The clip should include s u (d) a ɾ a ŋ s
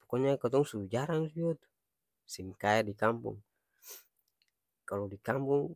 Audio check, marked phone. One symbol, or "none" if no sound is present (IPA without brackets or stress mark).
d͡ʒ